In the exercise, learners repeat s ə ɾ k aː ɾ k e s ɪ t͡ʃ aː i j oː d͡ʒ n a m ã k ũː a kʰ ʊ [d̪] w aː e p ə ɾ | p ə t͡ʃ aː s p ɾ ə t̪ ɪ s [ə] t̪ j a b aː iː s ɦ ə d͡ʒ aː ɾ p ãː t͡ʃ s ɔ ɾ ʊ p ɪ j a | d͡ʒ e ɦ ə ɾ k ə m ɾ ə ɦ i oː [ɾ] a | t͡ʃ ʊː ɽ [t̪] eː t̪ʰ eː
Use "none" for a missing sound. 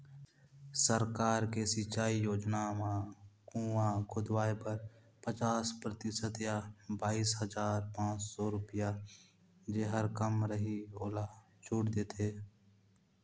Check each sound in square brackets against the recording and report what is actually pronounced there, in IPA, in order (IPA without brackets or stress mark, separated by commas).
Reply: d̪, ə, l, d̪